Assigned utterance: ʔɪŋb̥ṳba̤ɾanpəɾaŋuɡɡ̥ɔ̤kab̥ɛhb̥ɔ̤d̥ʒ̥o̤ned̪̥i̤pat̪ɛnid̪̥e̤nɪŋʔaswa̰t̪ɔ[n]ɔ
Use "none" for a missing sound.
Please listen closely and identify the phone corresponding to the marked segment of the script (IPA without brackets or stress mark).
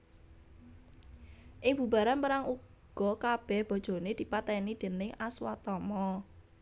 m